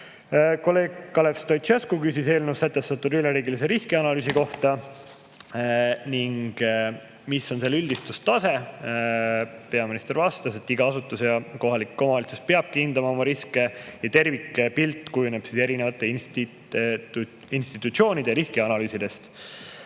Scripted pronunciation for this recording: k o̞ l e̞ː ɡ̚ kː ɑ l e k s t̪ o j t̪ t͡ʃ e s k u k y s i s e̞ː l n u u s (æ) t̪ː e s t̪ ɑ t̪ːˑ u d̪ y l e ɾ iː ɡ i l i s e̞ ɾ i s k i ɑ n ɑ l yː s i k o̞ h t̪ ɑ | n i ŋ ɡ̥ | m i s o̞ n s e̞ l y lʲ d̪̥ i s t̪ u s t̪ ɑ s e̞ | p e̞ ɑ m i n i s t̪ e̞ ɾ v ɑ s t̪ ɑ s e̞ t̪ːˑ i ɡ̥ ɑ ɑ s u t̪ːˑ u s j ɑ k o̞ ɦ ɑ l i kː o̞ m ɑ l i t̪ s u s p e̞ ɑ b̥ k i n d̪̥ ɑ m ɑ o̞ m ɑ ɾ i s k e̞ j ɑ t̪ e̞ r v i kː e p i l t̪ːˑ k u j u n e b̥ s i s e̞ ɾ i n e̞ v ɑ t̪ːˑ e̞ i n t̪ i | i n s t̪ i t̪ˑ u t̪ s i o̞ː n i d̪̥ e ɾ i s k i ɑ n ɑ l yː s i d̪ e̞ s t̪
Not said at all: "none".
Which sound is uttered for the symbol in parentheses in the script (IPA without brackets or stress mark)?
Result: æ